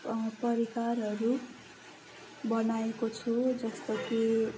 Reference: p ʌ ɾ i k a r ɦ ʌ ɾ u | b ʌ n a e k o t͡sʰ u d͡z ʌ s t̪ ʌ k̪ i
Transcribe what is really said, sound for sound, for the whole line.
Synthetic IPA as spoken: p ʌ ɾ i k a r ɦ ʌ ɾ u | b ʌ n a e k o t͡sʰ u d͡z ʌ s t̪ ʌ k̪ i